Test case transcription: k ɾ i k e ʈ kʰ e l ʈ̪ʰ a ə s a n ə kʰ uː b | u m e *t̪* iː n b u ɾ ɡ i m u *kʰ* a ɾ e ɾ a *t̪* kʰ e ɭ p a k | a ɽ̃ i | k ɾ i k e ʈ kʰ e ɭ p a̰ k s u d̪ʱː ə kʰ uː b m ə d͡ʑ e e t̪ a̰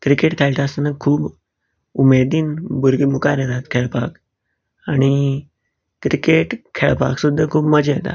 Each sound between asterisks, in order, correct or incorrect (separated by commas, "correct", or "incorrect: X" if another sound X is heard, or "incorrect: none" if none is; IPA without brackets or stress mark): incorrect: d̪, incorrect: k, correct